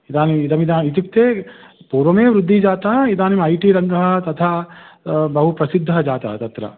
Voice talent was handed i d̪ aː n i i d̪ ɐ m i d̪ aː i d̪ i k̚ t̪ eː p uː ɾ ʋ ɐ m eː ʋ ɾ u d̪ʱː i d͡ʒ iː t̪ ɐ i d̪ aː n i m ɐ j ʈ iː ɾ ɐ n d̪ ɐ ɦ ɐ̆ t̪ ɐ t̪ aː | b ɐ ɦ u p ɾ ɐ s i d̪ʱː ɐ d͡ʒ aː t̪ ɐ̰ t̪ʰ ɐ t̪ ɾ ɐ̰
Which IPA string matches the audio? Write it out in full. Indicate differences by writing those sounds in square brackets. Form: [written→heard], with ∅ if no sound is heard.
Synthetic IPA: i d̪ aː n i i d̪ ɐ m i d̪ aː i [d̪→t̪] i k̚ t̪ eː p uː ɾ ʋ ɐ m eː ʋ ɾ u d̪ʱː i d͡ʒ [iː→aː] t̪ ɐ i d̪ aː n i m ɐ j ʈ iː ɾ ɐ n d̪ ɐ ɦ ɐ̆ t̪ ɐ [t̪→t̪ʰ] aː | b ɐ ɦ u p ɾ ɐ s i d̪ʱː ɐ d͡ʒ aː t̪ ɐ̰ [t̪ʰ→t̪] ɐ t̪ ɾ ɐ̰